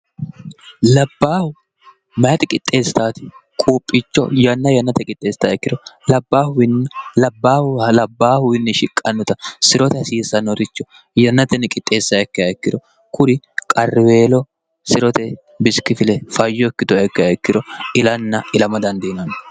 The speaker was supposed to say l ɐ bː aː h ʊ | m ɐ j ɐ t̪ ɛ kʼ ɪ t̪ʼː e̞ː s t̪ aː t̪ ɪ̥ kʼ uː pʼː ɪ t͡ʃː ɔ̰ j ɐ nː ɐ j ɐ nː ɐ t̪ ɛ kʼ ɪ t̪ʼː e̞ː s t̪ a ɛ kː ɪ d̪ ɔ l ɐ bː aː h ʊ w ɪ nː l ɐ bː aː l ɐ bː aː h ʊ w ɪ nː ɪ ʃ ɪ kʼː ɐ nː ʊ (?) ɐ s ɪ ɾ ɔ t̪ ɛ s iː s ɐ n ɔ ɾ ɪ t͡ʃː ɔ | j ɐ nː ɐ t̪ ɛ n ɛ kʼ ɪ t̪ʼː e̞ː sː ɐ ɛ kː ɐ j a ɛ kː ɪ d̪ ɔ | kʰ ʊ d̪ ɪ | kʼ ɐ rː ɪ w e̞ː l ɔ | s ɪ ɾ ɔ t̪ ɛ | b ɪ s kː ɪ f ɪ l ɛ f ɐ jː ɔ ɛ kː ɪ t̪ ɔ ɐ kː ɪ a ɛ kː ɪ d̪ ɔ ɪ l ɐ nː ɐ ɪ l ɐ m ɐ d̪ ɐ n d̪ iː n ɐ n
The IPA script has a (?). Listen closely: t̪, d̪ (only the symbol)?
t̪